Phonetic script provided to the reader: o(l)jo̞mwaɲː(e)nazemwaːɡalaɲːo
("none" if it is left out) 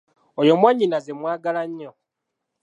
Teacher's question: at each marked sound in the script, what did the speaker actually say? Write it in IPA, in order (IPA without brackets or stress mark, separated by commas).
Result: none, i